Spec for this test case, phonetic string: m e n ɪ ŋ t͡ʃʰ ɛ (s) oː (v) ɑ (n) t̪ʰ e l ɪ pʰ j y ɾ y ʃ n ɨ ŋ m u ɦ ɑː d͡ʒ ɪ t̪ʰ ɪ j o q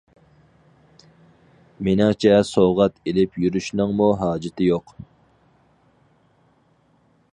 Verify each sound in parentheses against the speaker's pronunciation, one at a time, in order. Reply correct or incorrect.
correct, incorrect: ʁ, incorrect: none

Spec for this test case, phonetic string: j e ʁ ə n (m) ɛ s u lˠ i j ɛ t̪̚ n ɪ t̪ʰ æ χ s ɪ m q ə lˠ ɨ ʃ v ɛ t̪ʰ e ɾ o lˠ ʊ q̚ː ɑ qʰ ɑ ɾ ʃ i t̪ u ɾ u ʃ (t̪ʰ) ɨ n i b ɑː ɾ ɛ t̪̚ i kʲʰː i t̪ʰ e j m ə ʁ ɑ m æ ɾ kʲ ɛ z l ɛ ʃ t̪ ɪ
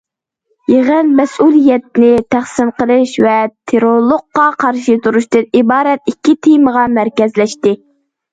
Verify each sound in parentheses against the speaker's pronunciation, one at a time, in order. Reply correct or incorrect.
correct, incorrect: t̪

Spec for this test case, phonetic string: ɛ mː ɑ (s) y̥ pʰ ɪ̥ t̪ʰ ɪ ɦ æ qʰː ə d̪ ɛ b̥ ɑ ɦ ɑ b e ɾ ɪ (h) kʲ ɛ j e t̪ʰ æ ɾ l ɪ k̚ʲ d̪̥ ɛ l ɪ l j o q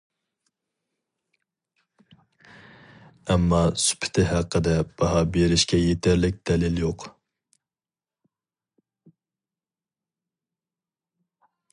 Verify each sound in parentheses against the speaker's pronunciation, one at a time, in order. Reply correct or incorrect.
correct, incorrect: ʃ

